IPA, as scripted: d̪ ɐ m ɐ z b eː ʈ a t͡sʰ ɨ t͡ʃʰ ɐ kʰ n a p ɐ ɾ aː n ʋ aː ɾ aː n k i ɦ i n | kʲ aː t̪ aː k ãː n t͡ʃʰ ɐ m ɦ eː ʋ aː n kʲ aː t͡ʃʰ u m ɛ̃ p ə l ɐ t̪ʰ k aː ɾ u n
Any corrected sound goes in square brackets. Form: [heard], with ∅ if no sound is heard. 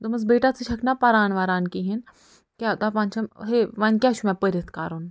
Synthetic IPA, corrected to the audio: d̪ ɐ m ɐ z b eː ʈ a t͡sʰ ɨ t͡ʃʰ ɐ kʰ n a p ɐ ɾ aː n ʋ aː ɾ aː n k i ɦ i n | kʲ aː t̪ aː [p] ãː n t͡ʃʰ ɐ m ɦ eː ʋ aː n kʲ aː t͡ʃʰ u m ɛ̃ p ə [ɾ] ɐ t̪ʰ k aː ɾ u n